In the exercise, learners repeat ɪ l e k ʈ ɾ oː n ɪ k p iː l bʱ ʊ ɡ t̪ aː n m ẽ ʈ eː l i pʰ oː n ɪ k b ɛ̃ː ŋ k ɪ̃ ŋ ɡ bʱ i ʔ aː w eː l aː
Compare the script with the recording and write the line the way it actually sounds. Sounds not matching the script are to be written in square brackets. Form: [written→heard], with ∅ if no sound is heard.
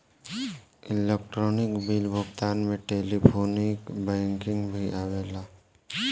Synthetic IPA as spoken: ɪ l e k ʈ ɾ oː n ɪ k [p→b] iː l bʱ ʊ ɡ t̪ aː n m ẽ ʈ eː l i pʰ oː n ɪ k b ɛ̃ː ŋ k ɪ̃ ŋ ɡ bʱ i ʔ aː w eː l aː